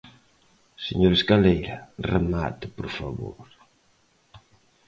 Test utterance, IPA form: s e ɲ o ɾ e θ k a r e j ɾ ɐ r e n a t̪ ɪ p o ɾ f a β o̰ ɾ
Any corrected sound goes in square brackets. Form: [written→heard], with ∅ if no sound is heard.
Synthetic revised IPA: s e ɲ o ɾ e [θ→s] k a [r→l] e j ɾ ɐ r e [n→m] a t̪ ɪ p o ɾ f a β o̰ ɾ